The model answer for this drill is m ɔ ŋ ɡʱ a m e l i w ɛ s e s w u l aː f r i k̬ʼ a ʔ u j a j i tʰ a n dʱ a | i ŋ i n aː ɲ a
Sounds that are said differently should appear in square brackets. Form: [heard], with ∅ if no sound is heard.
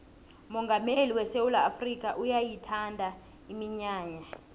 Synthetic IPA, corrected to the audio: m ɔ ŋ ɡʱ a m e l i w ɛ s e [∅] w u l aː f r i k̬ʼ a ʔ u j a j i tʰ a n dʱ a | i [m] i [ɲ] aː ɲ a